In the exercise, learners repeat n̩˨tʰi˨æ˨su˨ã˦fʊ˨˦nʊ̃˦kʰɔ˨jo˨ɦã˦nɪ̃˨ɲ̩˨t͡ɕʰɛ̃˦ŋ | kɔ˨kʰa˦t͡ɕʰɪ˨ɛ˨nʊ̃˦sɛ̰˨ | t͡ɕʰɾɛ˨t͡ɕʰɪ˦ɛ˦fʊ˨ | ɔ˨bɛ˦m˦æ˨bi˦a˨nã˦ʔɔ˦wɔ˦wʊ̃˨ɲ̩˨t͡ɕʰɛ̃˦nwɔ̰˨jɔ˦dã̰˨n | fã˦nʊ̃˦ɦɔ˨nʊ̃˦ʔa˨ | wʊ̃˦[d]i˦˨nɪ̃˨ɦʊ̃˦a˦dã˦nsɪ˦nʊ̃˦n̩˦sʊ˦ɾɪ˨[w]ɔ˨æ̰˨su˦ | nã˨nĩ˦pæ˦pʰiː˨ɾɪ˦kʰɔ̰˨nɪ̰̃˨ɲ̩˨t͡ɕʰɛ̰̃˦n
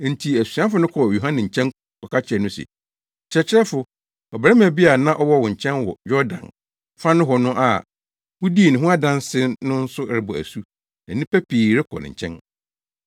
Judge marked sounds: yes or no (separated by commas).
yes, no